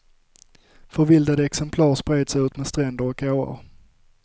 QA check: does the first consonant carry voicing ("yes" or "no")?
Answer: no